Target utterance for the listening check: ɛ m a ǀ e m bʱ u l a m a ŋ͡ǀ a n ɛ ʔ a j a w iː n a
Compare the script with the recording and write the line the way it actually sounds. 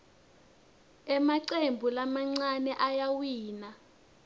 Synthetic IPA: ɛ m a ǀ e m bʱ u l a m a ŋ͡ǀ a n ɛ ʔ a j a w iː n a